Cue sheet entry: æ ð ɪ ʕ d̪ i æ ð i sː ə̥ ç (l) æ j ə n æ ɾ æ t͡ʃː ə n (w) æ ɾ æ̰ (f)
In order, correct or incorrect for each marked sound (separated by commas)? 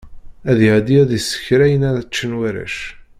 incorrect, correct, incorrect